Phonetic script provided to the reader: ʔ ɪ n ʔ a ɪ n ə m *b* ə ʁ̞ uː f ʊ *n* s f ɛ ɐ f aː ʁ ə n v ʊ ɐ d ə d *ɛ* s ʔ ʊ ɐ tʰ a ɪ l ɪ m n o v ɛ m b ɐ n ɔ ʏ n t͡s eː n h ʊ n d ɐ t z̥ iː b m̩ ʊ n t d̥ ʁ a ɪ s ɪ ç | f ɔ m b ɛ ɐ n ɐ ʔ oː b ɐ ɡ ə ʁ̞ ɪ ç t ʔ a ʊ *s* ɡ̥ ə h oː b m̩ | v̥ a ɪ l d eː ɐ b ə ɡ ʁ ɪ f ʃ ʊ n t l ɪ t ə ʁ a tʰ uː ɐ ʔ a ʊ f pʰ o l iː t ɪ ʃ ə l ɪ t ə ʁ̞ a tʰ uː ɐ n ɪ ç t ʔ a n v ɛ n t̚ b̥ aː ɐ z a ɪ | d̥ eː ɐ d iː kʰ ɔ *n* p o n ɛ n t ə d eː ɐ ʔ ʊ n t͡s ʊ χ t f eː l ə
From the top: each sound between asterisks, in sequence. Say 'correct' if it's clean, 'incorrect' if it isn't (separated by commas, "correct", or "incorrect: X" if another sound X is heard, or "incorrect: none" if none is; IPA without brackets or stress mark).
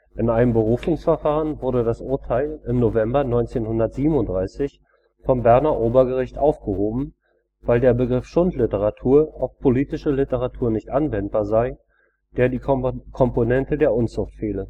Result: correct, incorrect: ŋ, incorrect: a, incorrect: f, incorrect: m